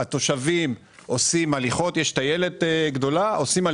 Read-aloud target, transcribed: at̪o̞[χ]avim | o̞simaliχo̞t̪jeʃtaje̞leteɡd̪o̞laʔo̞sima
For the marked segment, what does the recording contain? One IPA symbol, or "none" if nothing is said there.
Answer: ʃ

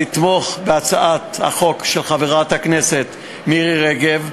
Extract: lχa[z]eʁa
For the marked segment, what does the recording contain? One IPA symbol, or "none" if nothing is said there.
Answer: v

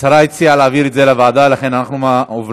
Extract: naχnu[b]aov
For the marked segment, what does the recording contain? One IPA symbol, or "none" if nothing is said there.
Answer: m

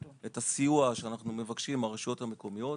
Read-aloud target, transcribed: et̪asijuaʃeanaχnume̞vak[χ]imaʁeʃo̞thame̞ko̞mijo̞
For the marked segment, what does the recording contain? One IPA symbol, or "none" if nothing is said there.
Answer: ʃ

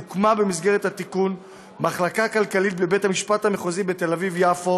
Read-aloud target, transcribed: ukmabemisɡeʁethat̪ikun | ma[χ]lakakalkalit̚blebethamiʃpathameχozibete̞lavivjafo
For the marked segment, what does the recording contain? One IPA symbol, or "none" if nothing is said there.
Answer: χ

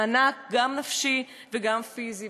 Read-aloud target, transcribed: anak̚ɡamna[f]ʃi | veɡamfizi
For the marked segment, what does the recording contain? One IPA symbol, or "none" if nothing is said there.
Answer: f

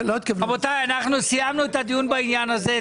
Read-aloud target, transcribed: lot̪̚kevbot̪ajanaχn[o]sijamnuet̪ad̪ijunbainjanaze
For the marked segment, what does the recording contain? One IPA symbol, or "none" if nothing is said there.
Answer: u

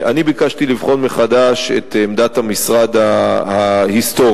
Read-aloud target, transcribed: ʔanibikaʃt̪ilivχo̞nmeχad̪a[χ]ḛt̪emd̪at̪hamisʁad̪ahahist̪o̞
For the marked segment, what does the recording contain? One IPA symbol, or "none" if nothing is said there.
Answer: ʃ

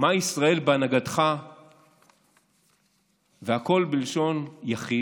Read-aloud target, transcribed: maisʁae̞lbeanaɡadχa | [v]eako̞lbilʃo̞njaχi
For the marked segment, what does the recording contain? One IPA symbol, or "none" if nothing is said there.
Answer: v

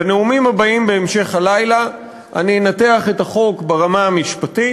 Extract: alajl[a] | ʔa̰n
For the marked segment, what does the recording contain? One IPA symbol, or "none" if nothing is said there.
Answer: a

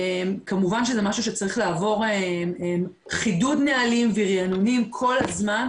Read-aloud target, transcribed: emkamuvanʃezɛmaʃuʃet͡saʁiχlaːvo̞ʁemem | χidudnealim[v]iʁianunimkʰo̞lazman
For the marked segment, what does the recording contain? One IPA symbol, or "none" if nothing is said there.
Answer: v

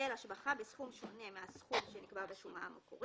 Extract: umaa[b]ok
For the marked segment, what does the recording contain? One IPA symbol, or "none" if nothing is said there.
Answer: m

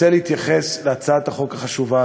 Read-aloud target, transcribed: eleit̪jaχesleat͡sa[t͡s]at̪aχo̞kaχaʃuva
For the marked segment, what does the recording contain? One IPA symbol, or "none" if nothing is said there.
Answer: none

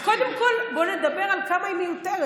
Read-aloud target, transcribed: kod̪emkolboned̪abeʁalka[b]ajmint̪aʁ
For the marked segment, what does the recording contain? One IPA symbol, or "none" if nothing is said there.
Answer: m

